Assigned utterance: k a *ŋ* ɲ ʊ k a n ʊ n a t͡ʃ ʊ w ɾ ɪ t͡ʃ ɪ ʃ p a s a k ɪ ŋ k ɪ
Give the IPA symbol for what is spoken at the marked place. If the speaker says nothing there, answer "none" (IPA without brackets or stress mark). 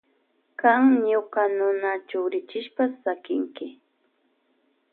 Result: ŋ